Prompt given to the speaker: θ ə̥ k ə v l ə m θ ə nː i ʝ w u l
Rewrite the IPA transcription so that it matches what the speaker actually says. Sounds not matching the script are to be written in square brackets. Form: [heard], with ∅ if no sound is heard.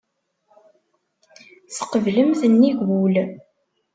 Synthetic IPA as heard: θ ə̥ [q] ə v l ə m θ ə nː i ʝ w u l